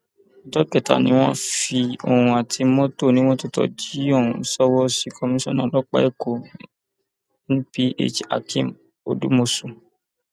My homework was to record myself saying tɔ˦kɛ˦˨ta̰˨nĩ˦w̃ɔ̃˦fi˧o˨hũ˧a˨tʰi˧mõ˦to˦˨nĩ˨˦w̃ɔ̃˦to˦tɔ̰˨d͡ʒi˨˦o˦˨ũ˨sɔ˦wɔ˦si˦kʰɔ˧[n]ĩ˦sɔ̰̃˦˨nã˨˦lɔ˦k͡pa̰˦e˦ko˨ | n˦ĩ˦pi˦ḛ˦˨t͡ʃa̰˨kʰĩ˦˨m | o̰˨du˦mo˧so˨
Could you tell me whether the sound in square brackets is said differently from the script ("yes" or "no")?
yes